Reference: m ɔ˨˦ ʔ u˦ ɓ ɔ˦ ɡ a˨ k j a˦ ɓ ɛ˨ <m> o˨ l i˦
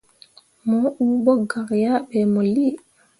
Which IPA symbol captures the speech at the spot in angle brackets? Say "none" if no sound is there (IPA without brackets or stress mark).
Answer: m